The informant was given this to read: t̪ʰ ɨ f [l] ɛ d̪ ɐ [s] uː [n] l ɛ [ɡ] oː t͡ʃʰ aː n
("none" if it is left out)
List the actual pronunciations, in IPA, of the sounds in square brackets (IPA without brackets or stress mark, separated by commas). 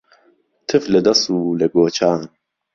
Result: l, s, none, ɡ